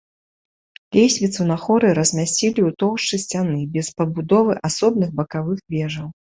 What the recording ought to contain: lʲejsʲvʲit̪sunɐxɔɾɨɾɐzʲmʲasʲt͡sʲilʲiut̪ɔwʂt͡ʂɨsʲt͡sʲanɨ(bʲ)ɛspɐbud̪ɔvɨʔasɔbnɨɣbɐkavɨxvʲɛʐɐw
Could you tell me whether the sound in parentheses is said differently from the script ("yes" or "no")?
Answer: no